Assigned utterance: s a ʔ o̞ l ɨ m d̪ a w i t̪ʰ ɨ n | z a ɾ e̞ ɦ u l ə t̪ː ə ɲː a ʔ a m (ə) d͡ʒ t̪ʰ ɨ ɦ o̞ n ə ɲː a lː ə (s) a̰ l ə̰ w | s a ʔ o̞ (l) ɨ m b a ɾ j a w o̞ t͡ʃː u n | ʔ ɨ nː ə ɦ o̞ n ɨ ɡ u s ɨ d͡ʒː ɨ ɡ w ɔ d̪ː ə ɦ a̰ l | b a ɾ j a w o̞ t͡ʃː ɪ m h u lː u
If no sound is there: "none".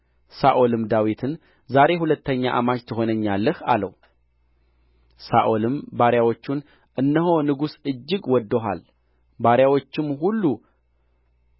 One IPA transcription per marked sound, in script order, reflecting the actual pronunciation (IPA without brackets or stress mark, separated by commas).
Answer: a, h, l